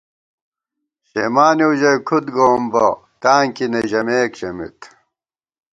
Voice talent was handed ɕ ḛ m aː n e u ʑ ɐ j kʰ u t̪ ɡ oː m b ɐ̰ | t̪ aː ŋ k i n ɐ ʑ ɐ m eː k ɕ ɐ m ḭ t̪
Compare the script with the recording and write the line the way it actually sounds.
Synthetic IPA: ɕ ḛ m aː n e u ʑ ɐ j kʰ u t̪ ɡ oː m b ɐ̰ | t̪ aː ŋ k i n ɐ ʑ ɐ m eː k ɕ ɐ m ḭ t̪